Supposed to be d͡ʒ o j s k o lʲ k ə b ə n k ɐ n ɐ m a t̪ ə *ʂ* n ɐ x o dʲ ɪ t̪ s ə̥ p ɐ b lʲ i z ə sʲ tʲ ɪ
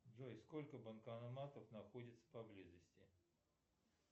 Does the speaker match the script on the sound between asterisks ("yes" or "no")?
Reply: no